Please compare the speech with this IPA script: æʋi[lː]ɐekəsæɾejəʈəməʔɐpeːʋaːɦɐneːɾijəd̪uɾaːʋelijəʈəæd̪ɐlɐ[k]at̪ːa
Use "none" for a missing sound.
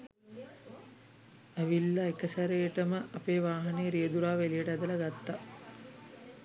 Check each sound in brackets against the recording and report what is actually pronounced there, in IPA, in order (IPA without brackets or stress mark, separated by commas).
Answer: lː, ɡ